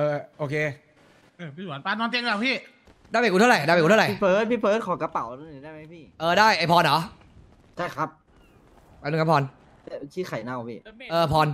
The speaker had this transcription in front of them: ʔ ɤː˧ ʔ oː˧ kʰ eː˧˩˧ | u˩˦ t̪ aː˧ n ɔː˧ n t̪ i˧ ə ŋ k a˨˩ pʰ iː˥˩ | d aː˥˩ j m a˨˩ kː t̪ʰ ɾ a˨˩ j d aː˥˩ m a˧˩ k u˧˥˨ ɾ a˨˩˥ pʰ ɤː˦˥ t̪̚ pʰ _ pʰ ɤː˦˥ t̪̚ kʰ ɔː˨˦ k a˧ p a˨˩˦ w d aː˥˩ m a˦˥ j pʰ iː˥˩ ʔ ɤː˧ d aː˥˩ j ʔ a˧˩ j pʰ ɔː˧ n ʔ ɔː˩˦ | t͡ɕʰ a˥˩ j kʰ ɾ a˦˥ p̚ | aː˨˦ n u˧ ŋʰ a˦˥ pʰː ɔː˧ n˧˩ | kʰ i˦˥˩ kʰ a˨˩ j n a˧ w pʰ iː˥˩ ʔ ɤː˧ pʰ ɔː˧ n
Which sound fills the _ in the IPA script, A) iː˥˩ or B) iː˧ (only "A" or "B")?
A